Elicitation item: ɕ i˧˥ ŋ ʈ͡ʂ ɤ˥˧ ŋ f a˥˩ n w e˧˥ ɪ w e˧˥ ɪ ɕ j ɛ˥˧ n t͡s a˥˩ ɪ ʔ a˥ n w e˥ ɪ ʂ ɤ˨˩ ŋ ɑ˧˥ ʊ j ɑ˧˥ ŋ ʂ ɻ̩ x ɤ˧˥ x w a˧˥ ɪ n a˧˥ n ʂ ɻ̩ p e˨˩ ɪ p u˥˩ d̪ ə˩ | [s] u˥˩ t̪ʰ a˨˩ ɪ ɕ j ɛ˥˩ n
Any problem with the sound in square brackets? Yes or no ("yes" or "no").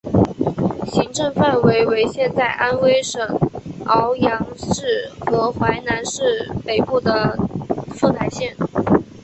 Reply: yes